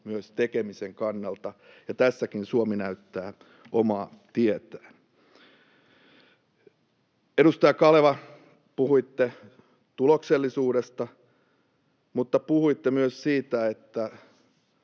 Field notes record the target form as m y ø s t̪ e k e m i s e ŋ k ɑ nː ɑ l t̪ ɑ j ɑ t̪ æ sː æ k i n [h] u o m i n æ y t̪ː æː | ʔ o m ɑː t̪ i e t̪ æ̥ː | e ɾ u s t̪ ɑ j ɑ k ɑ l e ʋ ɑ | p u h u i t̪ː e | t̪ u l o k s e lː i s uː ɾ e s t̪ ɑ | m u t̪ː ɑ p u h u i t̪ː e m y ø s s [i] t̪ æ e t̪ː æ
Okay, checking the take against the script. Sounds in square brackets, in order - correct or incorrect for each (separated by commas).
incorrect, incorrect